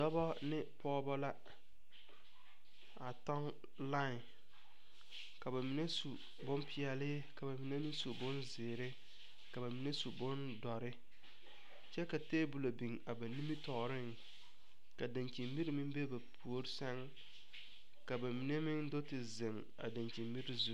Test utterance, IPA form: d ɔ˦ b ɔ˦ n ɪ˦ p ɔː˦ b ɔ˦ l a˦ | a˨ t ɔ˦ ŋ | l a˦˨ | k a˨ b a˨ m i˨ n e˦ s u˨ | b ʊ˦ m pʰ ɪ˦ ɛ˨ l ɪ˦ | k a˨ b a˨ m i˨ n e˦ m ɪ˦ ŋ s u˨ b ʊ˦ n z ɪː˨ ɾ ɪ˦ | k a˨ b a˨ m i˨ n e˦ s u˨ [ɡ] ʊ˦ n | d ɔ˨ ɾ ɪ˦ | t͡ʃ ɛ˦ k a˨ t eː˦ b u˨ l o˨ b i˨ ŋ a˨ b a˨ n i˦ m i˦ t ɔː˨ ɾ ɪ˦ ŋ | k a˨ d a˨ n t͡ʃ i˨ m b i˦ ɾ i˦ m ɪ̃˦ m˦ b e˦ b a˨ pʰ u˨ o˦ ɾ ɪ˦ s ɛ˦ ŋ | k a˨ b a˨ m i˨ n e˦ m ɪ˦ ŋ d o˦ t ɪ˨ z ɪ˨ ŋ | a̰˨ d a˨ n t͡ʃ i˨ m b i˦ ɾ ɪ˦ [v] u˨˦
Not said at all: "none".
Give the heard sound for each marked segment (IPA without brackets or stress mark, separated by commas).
b, z